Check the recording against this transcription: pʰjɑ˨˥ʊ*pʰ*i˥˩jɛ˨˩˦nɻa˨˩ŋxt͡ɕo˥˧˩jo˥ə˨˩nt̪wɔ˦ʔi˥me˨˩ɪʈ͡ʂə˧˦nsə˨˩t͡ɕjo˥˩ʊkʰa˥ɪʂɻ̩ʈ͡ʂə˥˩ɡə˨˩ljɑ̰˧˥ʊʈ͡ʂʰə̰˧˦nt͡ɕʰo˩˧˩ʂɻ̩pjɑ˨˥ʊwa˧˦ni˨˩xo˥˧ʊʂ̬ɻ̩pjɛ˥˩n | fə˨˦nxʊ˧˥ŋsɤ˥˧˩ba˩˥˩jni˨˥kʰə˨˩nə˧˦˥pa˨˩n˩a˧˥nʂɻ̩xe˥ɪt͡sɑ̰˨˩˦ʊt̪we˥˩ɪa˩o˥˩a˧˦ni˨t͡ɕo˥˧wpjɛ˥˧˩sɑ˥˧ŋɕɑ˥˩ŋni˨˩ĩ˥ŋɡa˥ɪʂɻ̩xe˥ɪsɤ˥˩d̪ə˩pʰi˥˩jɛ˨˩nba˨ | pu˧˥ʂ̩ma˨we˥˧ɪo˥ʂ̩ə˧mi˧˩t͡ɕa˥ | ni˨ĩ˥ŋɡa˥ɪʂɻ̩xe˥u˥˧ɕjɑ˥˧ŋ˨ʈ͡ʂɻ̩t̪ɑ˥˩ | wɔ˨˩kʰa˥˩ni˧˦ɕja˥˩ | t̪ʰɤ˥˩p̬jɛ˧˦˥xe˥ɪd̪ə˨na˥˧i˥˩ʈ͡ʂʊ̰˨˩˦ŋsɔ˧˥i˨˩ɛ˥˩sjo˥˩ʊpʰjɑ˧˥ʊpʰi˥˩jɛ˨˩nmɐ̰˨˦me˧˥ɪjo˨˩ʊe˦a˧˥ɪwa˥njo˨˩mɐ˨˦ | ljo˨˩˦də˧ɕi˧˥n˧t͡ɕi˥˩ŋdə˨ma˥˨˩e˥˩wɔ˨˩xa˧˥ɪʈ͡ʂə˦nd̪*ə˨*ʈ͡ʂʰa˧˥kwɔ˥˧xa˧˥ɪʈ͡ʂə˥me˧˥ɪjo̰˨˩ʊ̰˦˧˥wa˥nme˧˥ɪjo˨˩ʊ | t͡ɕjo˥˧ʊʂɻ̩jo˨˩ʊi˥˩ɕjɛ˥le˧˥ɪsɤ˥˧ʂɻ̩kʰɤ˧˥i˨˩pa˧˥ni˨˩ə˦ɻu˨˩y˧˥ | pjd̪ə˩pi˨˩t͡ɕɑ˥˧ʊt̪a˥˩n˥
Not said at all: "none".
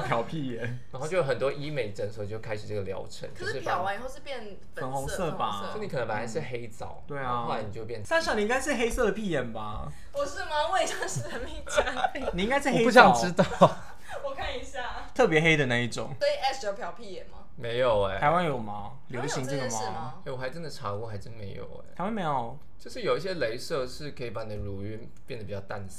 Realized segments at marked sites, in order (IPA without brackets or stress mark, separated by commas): pʰ, ə˨